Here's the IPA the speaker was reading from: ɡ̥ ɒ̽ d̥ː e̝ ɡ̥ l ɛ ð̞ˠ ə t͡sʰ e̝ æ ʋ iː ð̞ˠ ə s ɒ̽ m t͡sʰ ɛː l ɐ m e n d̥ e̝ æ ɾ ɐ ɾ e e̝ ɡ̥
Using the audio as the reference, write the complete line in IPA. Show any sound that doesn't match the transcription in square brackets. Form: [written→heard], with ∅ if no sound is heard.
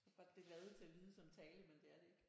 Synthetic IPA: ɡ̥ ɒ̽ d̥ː e̝ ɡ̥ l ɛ ð̞ˠ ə t͡sʰ e̝ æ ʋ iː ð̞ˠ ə s ɒ̽ m t͡sʰ ɛː l [ɐ→ə] m e n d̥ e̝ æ [ɾ→∅] ɐ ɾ e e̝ ɡ̥